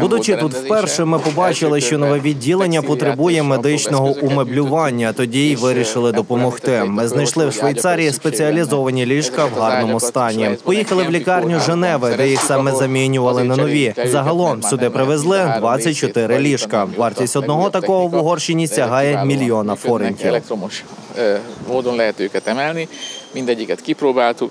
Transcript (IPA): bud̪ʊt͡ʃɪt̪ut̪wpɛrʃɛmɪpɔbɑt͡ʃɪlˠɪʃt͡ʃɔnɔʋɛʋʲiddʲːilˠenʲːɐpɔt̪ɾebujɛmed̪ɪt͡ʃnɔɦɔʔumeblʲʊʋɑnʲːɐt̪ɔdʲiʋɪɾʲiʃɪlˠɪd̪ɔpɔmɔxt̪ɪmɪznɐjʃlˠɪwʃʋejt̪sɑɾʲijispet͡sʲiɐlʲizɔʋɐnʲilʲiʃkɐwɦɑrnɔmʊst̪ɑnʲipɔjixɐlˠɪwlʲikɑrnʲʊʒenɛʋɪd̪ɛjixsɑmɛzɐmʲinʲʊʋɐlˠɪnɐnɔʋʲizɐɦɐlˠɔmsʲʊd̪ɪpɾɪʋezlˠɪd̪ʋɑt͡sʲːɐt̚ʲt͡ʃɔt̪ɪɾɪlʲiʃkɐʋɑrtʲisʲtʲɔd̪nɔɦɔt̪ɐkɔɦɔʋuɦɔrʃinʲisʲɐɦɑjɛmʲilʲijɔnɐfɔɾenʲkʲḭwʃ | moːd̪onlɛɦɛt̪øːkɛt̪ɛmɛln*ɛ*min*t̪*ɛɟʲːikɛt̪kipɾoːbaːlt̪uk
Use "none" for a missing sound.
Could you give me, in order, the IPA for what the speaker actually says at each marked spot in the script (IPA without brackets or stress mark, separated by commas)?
i, d̪